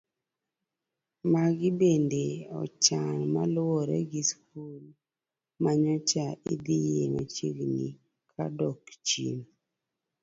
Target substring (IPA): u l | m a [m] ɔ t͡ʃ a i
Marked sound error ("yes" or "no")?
yes